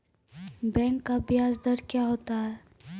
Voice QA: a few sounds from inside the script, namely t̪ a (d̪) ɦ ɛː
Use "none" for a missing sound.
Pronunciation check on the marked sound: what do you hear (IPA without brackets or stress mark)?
none